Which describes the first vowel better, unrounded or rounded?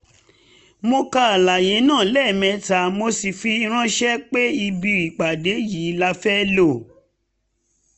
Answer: rounded